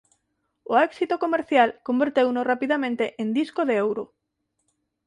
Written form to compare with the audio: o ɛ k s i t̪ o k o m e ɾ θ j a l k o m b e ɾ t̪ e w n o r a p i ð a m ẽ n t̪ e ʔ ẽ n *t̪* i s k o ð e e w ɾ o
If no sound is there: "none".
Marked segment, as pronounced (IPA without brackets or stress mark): d̪